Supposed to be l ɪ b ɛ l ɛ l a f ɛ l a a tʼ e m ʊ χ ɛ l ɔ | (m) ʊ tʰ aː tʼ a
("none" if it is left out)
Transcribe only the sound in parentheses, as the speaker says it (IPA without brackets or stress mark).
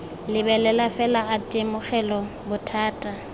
b